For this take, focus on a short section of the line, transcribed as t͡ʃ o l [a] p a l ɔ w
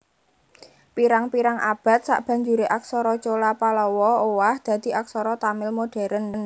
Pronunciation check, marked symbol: correct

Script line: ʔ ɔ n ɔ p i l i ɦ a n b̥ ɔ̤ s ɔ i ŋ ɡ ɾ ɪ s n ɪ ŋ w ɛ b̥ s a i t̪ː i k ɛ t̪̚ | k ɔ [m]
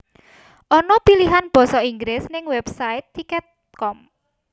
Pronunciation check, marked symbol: correct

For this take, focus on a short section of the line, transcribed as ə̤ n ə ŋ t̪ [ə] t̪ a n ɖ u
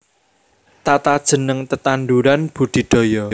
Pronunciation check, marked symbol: correct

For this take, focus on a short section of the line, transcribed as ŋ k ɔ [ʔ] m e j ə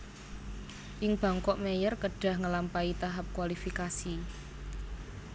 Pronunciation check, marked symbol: correct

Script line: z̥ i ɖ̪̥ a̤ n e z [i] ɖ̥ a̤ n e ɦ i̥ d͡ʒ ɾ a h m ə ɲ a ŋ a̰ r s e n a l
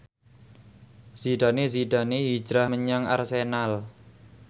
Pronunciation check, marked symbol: correct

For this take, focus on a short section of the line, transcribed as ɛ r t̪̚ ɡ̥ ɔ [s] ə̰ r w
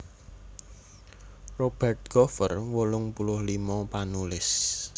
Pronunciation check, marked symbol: incorrect: f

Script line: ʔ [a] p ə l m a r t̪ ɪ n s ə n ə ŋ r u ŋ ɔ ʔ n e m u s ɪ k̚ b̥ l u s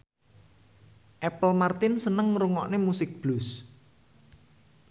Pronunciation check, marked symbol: incorrect: ɛ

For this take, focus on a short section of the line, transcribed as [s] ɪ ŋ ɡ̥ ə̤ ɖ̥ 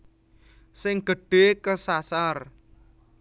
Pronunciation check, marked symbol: correct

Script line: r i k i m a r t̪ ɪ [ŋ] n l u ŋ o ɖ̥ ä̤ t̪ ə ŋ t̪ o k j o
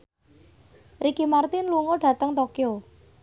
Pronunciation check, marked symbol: incorrect: none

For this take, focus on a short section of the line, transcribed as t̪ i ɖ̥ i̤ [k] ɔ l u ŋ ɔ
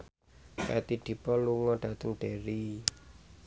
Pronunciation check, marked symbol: incorrect: p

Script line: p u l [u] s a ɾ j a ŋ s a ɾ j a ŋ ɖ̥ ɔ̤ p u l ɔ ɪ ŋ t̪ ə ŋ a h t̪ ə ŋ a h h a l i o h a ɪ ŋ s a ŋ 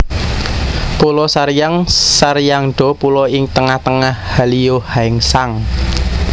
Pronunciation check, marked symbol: incorrect: ɔ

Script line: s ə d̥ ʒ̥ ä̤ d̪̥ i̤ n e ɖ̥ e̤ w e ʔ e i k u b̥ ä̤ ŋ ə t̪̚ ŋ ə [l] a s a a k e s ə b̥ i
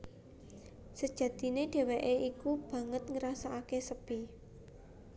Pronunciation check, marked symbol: incorrect: ɾ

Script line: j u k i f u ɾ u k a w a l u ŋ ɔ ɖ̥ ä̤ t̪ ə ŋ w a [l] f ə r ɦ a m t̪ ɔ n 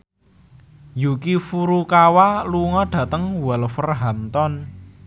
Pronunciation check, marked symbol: correct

